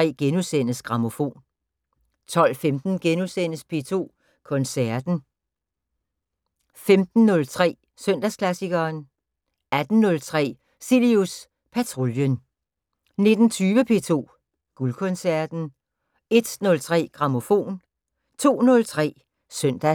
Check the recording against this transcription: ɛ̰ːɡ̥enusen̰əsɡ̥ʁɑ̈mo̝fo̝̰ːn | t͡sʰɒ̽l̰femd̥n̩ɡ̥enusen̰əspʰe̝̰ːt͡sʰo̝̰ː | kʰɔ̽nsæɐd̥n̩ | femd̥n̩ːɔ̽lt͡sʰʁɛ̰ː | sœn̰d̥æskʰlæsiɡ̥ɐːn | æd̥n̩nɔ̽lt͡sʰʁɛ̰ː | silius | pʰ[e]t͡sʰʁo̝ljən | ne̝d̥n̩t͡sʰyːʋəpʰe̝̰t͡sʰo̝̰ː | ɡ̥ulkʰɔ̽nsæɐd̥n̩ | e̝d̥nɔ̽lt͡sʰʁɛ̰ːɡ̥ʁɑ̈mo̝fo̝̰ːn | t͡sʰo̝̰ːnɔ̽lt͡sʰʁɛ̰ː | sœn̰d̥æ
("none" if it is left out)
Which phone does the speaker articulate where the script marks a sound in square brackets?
æ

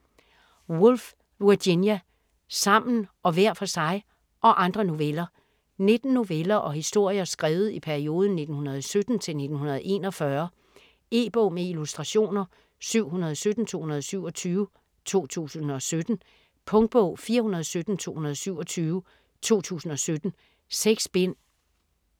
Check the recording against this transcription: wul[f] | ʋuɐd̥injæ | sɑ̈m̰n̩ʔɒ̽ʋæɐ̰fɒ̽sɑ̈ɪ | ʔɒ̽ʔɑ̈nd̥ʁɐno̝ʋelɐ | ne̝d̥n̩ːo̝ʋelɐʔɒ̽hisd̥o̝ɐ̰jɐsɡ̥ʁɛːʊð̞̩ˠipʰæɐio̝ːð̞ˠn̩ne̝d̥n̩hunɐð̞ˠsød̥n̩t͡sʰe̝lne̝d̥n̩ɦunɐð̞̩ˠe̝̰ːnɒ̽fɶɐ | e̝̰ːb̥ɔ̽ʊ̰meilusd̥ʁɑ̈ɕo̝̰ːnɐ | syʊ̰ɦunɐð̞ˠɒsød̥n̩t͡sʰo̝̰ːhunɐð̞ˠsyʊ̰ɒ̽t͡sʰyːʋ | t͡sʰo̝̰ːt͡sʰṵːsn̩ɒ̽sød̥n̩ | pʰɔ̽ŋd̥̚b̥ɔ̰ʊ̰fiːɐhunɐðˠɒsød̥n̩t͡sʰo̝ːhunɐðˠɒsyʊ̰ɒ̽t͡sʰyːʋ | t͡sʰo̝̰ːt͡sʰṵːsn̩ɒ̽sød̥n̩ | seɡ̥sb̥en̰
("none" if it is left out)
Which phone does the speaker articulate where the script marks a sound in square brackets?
f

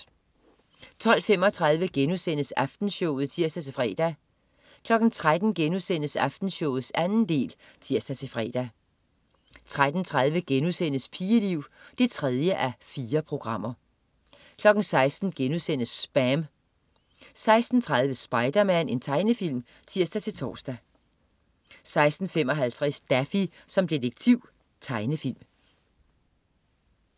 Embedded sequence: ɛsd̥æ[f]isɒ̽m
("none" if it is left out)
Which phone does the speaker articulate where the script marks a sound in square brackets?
f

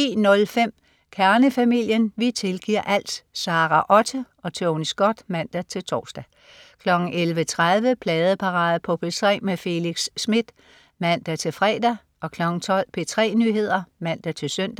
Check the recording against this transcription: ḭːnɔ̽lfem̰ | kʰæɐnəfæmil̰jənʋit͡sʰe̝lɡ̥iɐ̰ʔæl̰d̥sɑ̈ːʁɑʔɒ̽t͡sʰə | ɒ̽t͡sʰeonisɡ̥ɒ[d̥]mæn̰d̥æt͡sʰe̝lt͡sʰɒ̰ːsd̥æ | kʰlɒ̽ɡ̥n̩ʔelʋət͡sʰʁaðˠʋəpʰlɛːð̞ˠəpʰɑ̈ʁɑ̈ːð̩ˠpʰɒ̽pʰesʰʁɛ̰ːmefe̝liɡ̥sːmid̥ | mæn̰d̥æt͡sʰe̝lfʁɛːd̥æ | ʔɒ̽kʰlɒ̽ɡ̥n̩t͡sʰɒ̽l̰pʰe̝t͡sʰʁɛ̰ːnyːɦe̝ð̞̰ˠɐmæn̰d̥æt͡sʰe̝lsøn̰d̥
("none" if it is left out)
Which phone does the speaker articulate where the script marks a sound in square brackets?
d̥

